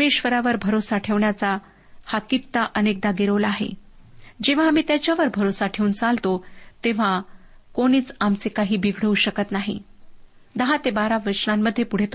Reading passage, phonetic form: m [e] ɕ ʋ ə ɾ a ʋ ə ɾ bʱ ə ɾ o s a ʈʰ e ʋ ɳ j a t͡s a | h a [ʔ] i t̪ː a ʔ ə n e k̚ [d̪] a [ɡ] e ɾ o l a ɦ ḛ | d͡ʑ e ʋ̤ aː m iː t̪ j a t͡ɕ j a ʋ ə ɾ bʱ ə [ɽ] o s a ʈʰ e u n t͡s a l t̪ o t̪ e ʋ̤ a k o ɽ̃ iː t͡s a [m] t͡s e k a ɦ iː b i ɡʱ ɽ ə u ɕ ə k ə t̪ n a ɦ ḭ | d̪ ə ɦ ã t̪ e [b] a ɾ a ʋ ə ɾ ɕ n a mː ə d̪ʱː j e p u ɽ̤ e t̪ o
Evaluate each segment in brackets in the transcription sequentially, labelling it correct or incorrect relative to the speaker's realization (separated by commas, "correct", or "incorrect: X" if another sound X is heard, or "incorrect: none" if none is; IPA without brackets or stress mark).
correct, incorrect: k, correct, correct, incorrect: ɾ, correct, correct